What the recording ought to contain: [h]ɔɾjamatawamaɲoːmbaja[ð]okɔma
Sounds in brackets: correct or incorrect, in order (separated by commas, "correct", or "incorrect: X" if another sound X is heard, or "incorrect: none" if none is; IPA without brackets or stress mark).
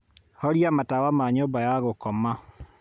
correct, incorrect: ɣ